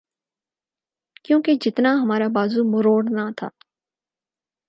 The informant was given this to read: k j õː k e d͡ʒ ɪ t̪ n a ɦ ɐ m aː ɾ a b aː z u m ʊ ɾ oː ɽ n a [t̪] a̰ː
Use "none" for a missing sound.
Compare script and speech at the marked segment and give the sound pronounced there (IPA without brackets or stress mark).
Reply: t̪ʰ